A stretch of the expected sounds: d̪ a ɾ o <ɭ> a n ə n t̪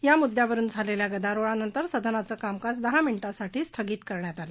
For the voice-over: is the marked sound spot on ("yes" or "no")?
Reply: yes